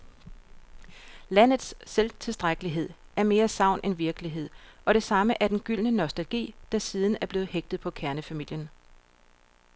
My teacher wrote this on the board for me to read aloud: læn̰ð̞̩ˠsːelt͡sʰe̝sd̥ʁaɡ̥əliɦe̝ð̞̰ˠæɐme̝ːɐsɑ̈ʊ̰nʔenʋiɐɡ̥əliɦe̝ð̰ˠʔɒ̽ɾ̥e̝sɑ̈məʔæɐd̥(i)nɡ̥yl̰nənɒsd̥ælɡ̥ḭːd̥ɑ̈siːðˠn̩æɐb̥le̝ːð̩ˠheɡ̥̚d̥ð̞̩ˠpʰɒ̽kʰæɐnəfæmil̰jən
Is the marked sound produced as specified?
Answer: no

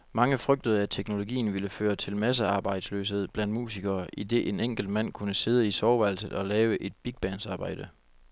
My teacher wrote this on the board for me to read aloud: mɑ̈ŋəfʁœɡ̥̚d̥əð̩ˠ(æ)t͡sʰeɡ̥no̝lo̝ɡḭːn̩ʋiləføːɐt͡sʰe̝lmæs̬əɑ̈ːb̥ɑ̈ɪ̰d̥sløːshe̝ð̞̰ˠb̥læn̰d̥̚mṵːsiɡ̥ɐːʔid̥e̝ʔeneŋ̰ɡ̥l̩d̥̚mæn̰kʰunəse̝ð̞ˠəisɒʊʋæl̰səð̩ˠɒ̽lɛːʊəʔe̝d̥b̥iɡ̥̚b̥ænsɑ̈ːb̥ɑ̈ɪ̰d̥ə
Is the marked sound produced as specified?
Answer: yes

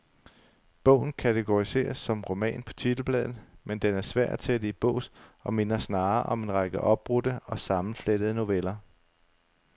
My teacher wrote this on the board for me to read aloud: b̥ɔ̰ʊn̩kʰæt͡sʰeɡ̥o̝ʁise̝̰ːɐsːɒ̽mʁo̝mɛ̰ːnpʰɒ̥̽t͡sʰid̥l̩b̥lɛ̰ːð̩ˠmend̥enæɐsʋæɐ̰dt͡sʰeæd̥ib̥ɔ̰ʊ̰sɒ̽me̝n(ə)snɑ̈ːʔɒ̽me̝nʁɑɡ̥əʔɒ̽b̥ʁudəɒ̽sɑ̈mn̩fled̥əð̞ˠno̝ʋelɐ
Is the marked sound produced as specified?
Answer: no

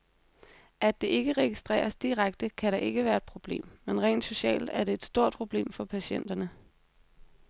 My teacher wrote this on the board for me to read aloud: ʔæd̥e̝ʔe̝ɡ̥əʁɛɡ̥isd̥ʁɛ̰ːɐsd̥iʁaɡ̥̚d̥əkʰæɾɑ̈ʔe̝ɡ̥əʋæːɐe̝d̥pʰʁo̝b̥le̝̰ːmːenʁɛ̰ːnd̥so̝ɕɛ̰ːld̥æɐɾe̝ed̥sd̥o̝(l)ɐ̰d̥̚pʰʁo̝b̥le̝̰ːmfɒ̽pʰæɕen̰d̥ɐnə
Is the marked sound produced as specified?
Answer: no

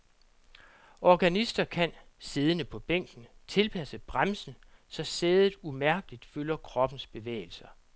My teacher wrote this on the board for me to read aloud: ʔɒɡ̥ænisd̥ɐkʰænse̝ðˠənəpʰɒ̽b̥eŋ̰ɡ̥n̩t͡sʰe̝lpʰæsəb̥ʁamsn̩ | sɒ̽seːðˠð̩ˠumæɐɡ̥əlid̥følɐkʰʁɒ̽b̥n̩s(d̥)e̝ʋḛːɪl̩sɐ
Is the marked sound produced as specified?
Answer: no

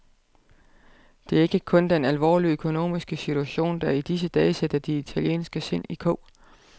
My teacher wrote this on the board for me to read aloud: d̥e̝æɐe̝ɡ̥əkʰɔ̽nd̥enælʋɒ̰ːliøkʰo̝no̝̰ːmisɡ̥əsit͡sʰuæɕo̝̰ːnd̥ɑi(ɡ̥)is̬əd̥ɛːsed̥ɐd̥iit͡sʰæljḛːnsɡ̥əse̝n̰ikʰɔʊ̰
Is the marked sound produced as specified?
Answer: no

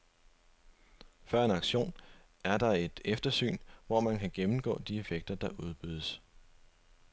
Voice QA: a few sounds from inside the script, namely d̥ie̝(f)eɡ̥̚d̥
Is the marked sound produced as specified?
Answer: yes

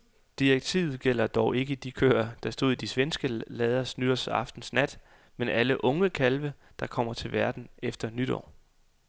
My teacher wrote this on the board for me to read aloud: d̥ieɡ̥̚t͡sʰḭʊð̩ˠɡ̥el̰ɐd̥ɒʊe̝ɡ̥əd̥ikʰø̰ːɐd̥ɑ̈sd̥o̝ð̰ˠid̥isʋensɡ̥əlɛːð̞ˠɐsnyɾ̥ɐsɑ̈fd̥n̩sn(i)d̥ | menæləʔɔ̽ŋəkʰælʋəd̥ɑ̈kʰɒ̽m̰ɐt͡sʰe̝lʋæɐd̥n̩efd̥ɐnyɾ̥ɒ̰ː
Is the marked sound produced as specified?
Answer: no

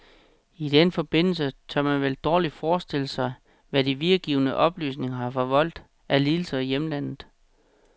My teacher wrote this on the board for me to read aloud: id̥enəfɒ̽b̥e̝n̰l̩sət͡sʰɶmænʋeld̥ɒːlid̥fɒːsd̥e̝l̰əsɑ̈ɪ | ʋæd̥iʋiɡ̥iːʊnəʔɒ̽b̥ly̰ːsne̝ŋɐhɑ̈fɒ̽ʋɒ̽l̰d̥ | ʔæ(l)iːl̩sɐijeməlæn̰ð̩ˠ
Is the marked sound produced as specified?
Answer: yes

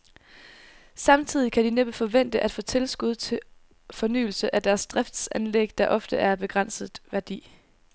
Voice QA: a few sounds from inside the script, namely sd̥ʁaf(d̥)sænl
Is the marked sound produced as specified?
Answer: yes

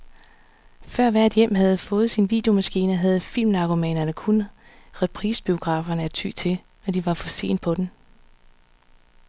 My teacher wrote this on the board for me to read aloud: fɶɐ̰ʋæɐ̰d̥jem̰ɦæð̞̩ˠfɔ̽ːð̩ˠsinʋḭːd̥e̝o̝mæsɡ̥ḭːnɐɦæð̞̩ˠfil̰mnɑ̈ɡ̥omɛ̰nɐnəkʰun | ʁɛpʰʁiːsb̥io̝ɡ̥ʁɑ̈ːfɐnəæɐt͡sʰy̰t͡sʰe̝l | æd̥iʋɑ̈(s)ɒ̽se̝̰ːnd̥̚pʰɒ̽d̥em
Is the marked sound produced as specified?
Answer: no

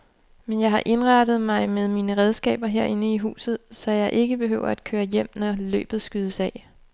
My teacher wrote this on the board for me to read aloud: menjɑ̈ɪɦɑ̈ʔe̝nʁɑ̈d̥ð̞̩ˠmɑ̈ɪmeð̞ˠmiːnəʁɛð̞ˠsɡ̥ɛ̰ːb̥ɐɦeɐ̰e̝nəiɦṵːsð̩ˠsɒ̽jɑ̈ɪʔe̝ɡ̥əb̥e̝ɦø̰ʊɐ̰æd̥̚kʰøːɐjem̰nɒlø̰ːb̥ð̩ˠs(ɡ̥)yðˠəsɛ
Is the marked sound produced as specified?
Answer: yes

